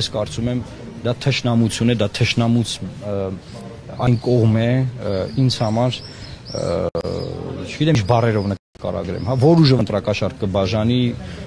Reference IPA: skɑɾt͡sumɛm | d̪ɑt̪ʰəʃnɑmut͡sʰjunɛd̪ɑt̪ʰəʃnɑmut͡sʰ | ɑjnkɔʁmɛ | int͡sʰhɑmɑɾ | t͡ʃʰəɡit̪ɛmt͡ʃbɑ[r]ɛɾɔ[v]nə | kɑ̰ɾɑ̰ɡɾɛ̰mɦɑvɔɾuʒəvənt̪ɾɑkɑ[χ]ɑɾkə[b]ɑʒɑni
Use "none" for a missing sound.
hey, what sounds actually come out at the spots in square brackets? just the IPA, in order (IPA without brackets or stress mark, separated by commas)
r, v, ʃ, b